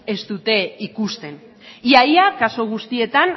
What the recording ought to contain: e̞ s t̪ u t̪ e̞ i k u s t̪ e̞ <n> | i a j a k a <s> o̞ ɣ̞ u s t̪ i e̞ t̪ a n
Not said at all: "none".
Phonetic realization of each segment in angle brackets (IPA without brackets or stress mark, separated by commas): n, s